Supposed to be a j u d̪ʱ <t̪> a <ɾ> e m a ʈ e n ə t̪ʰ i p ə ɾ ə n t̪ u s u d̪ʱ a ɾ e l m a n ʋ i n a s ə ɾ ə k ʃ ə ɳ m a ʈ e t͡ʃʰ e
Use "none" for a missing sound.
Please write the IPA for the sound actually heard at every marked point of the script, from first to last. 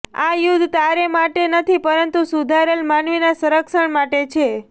t̪, ɾ

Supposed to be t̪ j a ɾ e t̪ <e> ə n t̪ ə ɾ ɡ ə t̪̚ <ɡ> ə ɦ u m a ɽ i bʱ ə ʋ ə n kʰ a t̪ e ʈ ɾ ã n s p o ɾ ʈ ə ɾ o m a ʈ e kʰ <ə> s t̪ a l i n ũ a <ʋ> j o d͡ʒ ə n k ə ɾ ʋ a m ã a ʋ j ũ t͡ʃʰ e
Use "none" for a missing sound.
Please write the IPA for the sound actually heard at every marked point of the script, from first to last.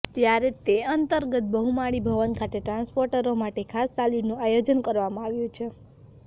e, b, a, none

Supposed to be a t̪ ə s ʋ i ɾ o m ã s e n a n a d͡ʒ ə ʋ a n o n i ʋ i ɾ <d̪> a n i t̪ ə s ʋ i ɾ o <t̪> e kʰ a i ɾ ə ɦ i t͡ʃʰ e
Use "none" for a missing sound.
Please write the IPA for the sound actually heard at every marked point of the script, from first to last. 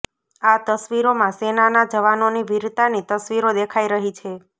t̪, d̪

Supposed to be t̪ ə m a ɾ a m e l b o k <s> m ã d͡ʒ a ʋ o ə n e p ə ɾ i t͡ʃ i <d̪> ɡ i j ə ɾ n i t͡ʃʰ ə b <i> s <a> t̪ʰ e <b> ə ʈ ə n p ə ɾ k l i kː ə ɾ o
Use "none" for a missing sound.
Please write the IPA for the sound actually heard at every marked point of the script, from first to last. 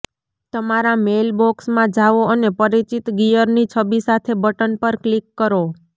s, t̪, i, a, b

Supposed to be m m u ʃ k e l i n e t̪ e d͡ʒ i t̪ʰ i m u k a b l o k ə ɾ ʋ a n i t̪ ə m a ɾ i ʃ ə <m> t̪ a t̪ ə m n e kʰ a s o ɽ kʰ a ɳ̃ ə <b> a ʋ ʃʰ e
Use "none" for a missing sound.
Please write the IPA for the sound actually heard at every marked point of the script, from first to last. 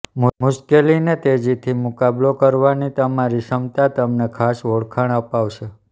m, p

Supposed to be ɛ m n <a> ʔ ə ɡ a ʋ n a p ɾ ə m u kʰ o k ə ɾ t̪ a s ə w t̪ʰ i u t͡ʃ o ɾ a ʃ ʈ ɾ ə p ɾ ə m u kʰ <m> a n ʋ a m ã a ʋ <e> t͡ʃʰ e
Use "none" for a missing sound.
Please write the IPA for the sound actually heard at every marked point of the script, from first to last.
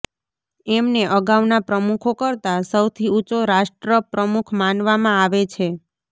e, m, e

